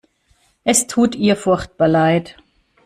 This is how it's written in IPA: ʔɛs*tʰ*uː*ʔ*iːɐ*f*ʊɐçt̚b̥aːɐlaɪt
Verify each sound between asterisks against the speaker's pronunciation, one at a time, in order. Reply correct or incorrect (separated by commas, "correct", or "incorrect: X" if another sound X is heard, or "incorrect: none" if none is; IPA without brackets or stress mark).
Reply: correct, incorrect: t, correct